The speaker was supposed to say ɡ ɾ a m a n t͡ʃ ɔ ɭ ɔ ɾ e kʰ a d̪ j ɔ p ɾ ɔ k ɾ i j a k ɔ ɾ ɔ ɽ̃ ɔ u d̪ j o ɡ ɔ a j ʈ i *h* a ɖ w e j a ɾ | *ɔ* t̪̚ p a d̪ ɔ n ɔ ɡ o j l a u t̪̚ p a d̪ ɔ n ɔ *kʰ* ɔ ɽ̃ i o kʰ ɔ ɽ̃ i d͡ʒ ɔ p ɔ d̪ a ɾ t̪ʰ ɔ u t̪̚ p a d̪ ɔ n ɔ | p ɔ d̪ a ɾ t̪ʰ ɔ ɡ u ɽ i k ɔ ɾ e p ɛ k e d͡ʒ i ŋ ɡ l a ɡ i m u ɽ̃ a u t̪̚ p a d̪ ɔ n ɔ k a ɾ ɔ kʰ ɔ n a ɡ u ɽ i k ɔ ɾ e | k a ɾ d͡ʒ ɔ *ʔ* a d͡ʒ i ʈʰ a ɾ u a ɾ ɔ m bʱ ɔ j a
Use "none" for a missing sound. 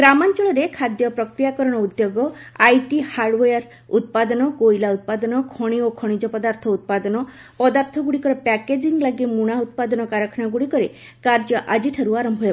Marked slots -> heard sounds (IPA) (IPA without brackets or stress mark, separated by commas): h, u, kʰ, ʔ